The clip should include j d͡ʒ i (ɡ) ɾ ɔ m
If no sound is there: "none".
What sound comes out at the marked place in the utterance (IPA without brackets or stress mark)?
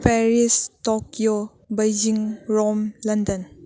ŋ